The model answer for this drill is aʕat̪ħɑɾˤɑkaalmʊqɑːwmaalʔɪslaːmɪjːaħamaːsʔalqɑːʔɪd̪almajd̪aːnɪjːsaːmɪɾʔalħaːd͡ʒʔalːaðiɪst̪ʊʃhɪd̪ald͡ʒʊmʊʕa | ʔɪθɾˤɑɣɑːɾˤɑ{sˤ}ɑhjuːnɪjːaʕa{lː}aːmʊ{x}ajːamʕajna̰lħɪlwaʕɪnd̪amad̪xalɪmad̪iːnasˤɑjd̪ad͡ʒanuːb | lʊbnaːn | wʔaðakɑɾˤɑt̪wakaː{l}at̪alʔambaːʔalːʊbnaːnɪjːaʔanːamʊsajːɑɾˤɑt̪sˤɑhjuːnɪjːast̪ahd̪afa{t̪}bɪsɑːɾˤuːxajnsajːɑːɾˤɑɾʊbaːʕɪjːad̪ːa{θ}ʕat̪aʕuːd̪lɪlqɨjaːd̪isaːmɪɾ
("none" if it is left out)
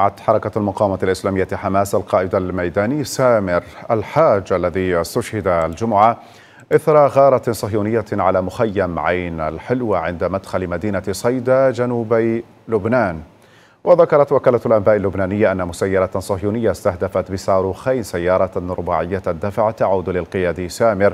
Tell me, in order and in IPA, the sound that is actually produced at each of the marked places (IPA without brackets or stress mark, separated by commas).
sˤ, l, x, l, t̪, f